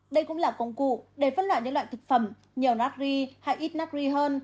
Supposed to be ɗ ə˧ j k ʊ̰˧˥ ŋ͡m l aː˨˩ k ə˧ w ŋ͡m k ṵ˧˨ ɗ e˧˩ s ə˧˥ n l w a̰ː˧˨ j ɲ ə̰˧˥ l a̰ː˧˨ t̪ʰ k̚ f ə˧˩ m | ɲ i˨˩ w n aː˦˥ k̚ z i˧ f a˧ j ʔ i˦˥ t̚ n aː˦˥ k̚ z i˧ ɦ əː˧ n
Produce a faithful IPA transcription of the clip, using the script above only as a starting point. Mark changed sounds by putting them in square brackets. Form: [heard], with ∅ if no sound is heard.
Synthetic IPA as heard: ɗ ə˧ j k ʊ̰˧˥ ŋ͡m l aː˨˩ k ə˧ w ŋ͡m k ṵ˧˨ ɗ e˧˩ [f] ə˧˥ n l w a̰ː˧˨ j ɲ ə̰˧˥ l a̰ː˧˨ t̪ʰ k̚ f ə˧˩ m | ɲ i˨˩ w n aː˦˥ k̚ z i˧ [h] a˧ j ʔ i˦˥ t̚ n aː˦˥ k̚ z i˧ ɦ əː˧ n